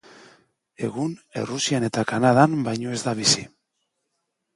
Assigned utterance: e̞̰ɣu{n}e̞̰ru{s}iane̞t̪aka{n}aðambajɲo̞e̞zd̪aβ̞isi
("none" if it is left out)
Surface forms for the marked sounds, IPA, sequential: n, s, n

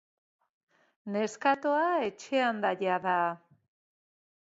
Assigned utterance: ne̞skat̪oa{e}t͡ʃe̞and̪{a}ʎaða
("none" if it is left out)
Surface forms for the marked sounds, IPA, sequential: e, a

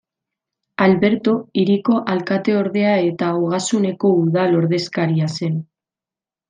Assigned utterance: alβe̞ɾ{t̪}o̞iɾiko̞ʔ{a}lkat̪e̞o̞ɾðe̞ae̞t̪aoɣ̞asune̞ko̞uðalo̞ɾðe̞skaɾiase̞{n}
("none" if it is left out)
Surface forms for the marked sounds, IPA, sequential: t̪, a, n

